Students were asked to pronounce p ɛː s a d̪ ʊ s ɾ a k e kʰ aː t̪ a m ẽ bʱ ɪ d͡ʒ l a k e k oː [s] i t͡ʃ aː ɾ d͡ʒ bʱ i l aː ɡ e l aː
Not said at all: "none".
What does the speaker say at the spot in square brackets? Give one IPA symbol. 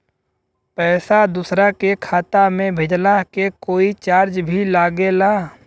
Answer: none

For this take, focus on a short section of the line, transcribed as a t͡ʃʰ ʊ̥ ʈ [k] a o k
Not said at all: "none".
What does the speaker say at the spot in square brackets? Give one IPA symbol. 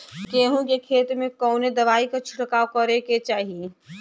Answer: k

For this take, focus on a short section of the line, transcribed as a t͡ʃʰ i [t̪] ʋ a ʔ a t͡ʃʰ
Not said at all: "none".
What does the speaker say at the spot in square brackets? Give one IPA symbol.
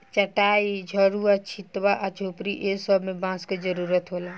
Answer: t̪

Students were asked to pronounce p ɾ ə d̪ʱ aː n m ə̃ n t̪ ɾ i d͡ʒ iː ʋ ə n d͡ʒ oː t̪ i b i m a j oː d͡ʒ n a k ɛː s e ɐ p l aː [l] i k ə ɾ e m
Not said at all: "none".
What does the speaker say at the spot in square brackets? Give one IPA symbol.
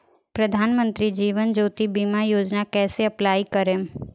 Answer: none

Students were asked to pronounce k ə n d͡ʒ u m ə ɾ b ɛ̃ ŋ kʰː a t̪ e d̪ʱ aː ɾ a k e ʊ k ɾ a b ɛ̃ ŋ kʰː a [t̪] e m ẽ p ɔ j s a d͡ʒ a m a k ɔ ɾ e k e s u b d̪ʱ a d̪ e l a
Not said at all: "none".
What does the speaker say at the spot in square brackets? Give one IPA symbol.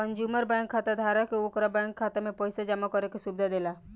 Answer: t̪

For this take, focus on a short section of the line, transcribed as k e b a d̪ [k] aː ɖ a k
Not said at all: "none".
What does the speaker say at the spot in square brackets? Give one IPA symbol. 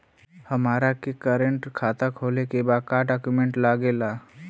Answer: k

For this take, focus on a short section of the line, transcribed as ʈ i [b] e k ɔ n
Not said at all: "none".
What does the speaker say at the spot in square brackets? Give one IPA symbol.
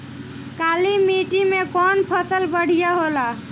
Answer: m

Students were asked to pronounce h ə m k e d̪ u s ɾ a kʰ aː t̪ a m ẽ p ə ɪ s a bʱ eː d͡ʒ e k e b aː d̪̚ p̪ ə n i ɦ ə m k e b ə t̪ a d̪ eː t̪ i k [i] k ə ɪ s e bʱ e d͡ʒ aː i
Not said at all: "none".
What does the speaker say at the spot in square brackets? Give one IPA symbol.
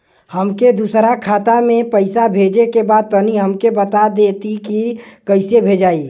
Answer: i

